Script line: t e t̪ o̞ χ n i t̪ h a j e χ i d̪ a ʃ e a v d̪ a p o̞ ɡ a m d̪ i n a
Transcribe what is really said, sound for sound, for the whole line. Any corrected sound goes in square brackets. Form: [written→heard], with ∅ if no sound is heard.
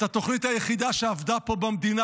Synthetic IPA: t [e→a] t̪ o̞ χ n i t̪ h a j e χ i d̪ a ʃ e a v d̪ a p o̞ [ɡ→b] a m d̪ i n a

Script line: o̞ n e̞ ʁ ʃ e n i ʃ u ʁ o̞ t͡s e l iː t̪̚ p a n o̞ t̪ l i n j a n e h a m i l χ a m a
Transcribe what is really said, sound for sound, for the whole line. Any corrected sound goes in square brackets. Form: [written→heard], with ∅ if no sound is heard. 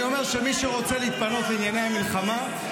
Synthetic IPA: o̞ [n→m] e̞ ʁ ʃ e [n→m] i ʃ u ʁ o̞ t͡s e l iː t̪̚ p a n o̞ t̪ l i n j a n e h a m i l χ a m a

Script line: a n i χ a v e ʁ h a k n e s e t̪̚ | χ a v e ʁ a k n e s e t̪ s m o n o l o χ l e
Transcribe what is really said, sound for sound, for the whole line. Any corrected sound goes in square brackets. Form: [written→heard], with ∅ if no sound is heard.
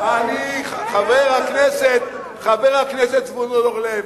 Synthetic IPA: a n i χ a v e ʁ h a k n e s e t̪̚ | χ a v e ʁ a k n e s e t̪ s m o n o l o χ l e

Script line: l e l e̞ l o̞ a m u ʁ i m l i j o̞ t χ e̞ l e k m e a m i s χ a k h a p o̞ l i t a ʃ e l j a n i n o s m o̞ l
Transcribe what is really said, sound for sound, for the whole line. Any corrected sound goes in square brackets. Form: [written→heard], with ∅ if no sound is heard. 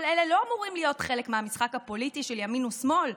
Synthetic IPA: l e l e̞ l o̞ a m u ʁ i m l i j o̞ t χ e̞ l e k m e a m i s χ a k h a p o̞ l i t [a→i] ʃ e l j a [n→m] i n [o→u] s m o̞ l

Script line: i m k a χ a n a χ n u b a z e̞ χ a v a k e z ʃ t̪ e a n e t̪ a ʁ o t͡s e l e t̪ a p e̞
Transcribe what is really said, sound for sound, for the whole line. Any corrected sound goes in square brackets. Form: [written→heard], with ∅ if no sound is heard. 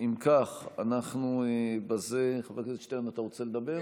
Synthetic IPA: i m k a χ a n a χ n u b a z e̞ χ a v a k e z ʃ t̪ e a n [e→a] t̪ a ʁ o t͡s e l e [t̪→d̪] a [p→b] e̞

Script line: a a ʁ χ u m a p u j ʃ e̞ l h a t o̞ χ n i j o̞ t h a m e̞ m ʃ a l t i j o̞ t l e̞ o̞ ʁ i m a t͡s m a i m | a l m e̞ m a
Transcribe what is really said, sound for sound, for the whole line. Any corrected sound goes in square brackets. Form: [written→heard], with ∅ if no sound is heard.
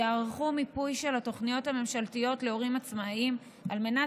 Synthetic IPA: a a ʁ χ u m [a→i] p u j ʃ e̞ l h a t o̞ χ n i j o̞ t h a m e̞ m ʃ a l t i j o̞ t l e̞ o̞ ʁ i m a t͡s m a i m | a l m e̞ [m→n] a

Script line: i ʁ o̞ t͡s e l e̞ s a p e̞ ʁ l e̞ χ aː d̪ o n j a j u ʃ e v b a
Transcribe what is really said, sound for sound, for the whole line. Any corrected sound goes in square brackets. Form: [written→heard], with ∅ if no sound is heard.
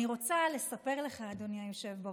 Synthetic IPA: i ʁ o̞ t͡s [e→a] l e̞ s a p e̞ ʁ l e̞ χ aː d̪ o n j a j [u→o] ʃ e v b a

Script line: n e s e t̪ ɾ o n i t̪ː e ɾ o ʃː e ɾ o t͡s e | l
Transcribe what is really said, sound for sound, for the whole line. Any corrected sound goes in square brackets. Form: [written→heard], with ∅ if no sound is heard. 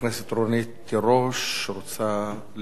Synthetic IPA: n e s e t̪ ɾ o n i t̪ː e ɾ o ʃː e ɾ o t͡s [e→a] | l

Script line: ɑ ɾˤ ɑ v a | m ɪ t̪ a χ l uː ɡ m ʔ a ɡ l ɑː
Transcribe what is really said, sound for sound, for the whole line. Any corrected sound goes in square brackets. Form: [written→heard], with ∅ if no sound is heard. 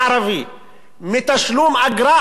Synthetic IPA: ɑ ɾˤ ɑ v [a→i] | m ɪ t̪ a [χ→ʃ] l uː [ɡ→∅] m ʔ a ɡ [l→ɾ] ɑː

